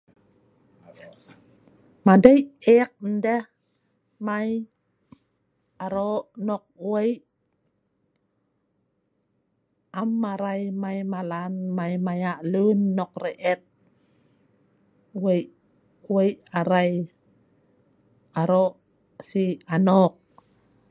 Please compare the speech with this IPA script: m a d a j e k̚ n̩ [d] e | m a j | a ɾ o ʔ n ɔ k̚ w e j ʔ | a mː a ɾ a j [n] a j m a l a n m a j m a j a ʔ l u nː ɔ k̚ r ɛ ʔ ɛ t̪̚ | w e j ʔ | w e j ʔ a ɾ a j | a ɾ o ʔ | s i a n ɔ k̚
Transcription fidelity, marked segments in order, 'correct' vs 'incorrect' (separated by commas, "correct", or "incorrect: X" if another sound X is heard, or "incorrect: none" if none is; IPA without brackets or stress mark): correct, incorrect: m